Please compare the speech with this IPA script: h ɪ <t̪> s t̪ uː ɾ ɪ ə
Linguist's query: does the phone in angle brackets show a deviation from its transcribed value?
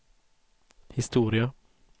yes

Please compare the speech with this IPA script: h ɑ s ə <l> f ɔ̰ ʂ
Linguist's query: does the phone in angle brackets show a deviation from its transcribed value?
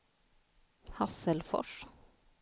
no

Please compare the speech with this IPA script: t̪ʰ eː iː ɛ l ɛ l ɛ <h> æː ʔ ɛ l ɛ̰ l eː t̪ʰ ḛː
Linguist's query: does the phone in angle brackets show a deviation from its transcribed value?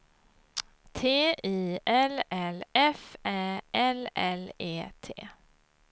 yes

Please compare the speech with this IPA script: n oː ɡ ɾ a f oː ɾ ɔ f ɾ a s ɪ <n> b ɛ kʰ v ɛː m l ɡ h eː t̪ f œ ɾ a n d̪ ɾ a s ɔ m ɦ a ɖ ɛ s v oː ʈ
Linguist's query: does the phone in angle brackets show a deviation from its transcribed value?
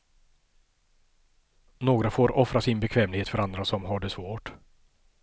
no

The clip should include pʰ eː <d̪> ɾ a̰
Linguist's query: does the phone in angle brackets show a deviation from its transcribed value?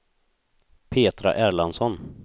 yes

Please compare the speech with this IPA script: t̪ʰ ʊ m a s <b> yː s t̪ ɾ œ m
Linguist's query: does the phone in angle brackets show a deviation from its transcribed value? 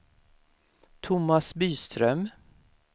no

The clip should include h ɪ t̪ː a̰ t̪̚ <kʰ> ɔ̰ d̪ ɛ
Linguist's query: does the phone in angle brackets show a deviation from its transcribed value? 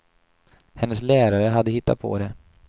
yes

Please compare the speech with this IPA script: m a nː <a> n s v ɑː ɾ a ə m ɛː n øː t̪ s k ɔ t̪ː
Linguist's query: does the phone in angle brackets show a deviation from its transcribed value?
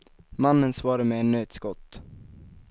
yes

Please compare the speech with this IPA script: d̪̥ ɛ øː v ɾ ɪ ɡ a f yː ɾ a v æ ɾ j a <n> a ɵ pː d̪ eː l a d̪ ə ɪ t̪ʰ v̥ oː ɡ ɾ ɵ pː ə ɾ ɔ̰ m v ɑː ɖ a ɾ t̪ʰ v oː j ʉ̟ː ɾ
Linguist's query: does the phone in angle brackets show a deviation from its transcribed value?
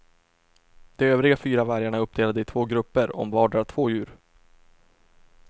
yes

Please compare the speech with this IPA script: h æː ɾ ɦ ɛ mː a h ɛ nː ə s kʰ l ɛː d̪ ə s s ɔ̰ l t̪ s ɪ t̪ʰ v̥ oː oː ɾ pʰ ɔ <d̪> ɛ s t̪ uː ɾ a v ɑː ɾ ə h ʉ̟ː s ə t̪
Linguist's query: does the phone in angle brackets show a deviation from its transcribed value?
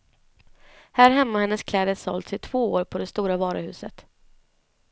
no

